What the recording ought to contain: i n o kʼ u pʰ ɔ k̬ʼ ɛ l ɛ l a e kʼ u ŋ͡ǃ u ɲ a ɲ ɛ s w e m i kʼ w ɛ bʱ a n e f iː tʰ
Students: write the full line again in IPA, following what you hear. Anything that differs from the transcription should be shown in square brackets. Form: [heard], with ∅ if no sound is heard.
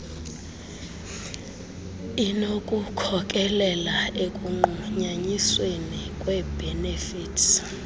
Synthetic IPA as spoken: i n o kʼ u [kʰ] ɔ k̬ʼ ɛ l ɛ l a e kʼ u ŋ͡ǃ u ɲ a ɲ [i] s w e [n] i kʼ w ɛ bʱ [ɛ] n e f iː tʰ